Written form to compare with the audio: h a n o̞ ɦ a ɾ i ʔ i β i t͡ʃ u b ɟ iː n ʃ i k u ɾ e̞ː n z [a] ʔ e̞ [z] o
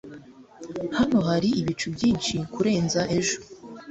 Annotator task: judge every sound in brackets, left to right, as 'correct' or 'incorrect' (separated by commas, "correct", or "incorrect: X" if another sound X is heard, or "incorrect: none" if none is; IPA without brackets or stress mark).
correct, incorrect: ʒ